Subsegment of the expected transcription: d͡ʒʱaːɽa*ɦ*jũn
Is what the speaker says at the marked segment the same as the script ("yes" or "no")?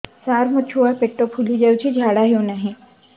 yes